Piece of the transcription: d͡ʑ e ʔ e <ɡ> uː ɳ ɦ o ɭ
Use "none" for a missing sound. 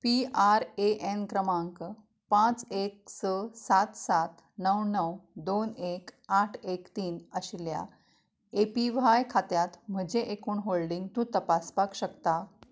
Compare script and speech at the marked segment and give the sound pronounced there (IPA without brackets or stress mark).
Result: k